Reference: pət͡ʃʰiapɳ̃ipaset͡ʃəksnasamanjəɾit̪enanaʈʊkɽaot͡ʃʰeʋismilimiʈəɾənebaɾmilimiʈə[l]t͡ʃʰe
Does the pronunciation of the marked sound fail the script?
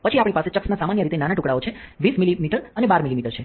yes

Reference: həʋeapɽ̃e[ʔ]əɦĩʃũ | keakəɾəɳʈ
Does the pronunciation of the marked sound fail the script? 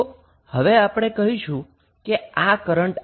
yes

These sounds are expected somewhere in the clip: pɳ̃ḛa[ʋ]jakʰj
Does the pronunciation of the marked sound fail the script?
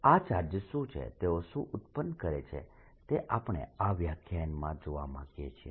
no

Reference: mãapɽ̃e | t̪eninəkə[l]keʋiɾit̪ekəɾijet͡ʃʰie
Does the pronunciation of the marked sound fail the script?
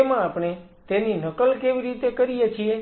no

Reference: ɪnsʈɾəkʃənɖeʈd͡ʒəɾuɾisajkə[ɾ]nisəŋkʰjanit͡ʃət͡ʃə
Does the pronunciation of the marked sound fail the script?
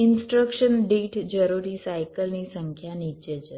yes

